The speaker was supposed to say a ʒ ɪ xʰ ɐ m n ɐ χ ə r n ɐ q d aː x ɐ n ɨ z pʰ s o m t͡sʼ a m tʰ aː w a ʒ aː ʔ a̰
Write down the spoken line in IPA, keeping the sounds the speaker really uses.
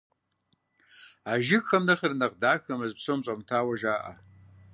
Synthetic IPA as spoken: a ʒ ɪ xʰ ɐ m n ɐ χ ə r n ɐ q d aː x ɐ m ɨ z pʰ s o m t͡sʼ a m tʰ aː w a ʒ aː ʔ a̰

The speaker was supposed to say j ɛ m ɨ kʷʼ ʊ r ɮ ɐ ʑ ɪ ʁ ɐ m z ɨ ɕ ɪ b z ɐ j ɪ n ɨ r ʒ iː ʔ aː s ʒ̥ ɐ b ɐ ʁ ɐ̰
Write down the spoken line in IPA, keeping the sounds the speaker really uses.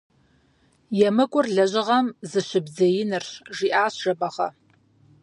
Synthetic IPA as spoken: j ɛ m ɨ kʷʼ ʊ r ɮ ɐ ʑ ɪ ʁ ɐ m z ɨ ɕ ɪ b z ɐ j ɪ n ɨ r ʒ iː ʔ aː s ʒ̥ ɐ b ɐ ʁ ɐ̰

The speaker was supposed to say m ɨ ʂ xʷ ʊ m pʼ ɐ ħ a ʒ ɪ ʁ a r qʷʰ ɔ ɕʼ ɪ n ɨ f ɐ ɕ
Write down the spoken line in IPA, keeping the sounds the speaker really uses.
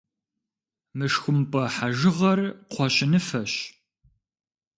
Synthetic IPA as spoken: m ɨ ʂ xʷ ʊ m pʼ ɐ ħ a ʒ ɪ ʁ ɐ r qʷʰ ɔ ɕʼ ɪ n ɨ f ɐ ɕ

